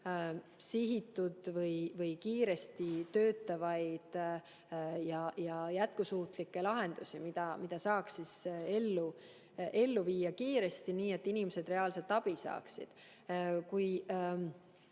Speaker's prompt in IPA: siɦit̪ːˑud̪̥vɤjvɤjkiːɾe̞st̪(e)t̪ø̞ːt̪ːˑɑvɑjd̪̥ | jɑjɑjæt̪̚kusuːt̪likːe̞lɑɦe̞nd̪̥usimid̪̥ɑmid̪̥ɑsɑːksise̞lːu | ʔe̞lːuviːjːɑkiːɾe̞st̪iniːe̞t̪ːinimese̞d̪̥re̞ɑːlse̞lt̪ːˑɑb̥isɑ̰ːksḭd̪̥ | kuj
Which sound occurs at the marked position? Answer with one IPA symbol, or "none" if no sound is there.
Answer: i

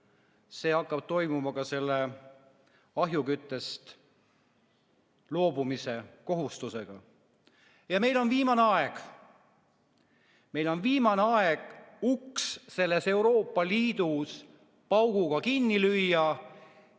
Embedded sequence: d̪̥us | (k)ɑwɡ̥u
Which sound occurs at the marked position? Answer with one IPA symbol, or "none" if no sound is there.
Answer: p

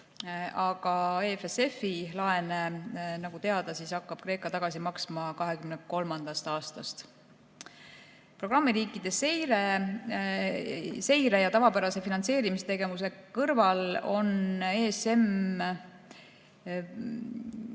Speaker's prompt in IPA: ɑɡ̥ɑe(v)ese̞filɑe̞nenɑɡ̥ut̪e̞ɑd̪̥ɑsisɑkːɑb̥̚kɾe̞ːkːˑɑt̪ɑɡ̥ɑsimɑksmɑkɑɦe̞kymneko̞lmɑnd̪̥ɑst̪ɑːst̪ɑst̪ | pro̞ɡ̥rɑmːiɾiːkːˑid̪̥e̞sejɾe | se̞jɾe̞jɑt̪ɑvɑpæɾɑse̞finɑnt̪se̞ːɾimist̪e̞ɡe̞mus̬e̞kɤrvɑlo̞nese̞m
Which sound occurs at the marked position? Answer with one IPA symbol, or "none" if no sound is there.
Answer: f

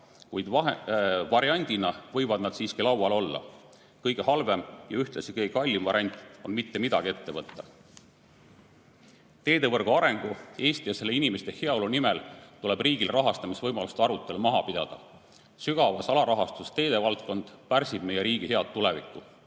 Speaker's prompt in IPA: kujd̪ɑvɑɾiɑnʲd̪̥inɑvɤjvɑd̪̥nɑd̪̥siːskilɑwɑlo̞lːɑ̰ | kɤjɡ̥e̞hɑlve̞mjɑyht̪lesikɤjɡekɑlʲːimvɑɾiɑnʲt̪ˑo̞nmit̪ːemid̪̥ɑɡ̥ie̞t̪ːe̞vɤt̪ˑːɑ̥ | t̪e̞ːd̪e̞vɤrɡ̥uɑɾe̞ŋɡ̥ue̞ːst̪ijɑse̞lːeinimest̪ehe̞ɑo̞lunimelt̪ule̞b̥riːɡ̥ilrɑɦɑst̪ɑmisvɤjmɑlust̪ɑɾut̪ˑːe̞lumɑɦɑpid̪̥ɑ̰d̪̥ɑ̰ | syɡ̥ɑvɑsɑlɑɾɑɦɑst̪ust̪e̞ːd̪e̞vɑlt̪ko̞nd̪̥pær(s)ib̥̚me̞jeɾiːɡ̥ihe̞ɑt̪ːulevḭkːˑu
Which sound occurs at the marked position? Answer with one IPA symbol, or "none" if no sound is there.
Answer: s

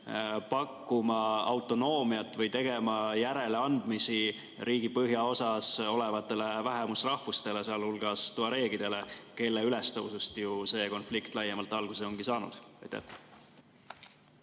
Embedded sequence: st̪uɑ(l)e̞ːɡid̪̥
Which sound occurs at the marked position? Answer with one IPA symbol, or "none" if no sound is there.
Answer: ɾ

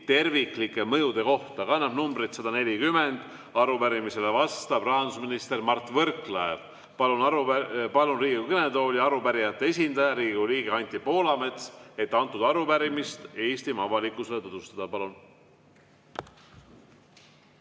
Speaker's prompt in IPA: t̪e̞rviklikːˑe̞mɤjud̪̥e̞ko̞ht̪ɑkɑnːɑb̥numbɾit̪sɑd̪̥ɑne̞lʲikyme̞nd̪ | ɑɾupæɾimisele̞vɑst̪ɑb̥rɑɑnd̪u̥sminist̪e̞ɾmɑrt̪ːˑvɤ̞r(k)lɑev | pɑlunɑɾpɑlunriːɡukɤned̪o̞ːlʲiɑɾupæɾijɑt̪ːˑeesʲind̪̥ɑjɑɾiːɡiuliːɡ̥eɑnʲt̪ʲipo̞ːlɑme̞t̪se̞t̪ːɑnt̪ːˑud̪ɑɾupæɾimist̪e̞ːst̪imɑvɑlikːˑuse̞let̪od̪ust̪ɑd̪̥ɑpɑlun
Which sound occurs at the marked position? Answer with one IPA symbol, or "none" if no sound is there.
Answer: k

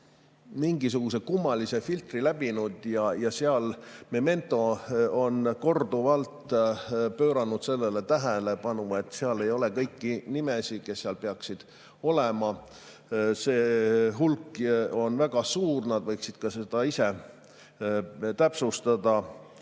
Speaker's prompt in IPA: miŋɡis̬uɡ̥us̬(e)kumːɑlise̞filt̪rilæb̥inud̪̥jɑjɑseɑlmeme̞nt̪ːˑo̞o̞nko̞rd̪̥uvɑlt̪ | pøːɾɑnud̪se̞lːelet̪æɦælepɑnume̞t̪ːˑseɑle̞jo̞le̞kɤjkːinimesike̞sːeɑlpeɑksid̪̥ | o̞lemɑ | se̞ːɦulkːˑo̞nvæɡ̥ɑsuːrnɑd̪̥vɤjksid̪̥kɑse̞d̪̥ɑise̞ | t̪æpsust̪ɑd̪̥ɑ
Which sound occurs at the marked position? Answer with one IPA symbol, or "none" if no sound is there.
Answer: e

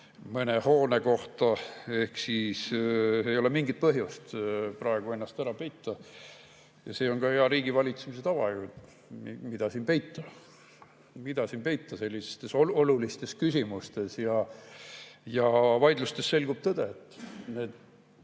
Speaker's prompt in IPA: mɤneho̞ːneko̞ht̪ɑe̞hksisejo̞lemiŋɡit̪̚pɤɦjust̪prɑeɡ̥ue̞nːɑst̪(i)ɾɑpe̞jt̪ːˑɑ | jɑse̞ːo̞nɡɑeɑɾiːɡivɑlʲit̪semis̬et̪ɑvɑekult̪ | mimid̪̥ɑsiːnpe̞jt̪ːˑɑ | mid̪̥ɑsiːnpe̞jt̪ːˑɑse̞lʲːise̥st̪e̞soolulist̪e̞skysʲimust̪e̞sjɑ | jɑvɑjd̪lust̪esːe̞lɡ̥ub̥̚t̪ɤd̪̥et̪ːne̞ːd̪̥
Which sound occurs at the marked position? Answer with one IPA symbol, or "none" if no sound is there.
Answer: æ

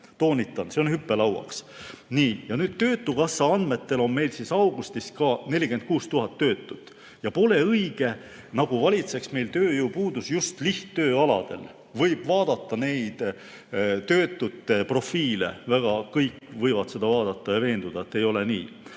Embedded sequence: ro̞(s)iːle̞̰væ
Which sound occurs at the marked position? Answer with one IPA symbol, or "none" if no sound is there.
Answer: f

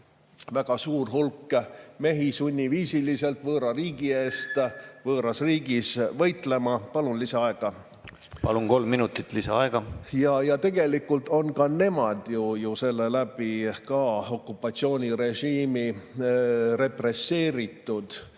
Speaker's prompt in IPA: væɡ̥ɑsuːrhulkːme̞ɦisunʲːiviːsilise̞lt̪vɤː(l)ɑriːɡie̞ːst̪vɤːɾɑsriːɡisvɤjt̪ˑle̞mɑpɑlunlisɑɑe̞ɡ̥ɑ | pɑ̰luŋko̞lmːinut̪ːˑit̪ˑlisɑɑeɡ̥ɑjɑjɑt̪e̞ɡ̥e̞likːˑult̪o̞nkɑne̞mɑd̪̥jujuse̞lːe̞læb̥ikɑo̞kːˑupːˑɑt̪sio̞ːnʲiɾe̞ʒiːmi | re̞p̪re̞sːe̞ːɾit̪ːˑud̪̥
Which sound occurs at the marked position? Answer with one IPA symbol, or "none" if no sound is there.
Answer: ɾ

